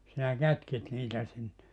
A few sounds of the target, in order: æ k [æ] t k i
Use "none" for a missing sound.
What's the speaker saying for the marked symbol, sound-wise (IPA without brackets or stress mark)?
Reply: æ